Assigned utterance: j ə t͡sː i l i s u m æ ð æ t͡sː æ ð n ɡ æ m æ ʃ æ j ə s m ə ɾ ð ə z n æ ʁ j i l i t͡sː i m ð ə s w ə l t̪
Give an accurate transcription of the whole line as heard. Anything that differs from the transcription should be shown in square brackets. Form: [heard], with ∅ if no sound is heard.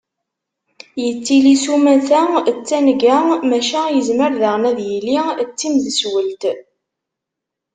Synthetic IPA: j ə t͡sː i l i s u m æ [θ] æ t͡sː æ [∅] n ɡ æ m æ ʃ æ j ə [z] m ə ɾ ð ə [ʁ] n æ [ð] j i l i t͡sː i m ð ə s w ə l t̪